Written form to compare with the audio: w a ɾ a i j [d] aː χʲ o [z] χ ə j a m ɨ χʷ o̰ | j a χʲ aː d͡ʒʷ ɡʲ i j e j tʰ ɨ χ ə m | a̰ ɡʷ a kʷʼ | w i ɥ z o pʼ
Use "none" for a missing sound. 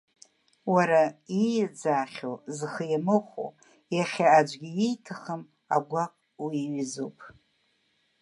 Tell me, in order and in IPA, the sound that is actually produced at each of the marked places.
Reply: d͡z, z

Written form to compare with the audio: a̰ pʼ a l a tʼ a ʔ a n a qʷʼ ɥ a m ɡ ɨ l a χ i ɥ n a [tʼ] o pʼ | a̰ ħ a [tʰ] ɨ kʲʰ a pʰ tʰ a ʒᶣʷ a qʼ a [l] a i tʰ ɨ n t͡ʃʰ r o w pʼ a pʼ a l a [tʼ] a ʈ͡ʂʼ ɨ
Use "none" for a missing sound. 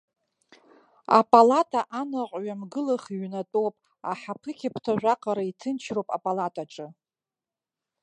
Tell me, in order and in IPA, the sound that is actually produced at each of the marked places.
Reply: tʼ, pʰ, ɾ, tʼ

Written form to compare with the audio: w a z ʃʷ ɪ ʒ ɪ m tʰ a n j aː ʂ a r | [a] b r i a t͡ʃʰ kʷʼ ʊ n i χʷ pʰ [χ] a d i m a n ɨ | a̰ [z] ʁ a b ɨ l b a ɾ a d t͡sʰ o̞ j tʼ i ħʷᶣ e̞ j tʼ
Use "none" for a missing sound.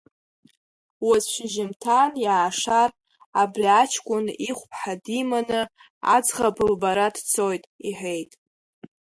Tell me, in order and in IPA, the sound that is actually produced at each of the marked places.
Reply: a, ħ, d͡z

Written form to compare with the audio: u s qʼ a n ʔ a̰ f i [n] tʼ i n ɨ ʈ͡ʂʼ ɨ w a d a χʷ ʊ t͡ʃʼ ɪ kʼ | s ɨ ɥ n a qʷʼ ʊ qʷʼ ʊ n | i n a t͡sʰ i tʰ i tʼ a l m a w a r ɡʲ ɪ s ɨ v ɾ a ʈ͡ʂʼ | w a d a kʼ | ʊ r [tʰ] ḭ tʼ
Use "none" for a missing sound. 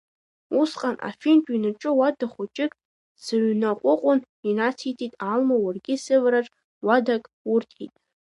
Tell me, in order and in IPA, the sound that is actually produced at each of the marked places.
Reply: n, tʰ

